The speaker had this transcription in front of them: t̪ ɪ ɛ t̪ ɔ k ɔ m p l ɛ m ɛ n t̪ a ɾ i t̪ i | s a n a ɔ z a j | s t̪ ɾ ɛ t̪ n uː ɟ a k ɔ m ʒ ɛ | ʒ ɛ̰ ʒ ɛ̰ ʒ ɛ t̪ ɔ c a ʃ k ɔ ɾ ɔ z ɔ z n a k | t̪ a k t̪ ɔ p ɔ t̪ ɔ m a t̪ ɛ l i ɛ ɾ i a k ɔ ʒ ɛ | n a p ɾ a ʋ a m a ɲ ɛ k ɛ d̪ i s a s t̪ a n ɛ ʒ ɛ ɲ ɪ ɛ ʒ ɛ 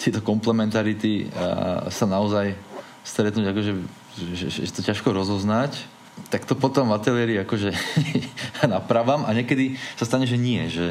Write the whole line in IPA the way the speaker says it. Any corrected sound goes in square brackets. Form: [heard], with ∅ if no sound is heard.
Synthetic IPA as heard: t̪ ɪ ɛ t̪ ɔ k ɔ m p l ɛ m ɛ n t̪ a ɾ i t̪ i | s a n a ɔ z a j | s t̪ ɾ ɛ t̪ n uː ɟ a k ɔ [∅] ʒ ɛ | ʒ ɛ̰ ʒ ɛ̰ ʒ ɛ t̪ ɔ c a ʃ k ɔ ɾ ɔ z ɔ z n a [c] | t̪ a k t̪ ɔ p ɔ t̪ ɔ m a t̪ ɛ l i ɛ ɾ i a k ɔ ʒ ɛ | n a p ɾ a ʋ a m a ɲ ɛ k ɛ d̪ i s a s t̪ a [ɲ] ɛ ʒ ɛ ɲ ɪ ɛ ʒ ɛ